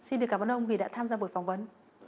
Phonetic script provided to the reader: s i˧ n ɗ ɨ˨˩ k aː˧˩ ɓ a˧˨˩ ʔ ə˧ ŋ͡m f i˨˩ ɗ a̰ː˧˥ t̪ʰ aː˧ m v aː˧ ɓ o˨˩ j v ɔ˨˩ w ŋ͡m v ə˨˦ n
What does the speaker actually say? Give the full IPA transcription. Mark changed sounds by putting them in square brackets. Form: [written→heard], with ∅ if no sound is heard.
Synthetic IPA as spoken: s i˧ n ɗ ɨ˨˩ k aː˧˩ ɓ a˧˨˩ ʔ ə˧ ŋ͡m [f→v] i˨˩ ɗ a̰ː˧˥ t̪ʰ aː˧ m [v→z] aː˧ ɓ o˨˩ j [v→f] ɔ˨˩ w ŋ͡m v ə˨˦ n